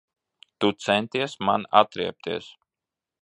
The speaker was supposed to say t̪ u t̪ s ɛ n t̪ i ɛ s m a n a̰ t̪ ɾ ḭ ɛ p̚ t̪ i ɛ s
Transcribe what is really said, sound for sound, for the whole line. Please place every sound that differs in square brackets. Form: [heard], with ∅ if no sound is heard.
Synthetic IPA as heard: t̪ u t̪ s ɛ n t̪ i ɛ s m a n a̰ t̪ ɾ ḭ ɛ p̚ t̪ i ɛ s